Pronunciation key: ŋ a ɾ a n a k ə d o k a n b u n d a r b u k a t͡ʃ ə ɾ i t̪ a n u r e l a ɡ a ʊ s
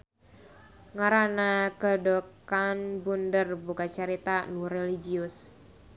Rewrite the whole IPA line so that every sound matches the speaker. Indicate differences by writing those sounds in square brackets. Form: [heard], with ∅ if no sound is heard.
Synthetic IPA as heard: ŋ a ɾ a n a k ə d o k a n b u n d [ə] r b u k a t͡ʃ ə ɾ i t̪ a n u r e l [i] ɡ [i] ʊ s